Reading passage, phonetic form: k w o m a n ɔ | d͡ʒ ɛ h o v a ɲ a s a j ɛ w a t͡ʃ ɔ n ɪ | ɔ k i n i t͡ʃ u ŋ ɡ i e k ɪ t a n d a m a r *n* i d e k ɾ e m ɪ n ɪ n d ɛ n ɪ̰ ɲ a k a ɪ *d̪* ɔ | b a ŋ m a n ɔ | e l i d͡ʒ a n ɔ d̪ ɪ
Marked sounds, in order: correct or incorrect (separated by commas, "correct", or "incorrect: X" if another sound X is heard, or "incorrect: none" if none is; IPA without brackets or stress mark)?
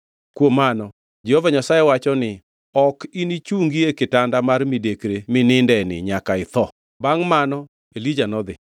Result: incorrect: m, incorrect: t̪